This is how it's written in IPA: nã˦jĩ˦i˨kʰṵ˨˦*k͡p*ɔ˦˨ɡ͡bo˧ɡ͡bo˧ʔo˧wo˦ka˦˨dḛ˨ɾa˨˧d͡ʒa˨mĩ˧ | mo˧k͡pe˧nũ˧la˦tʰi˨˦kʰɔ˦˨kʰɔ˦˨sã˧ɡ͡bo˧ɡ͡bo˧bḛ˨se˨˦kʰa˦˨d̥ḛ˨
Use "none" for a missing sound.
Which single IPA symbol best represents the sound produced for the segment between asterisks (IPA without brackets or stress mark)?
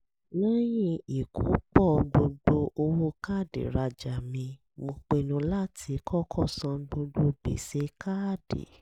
k͡p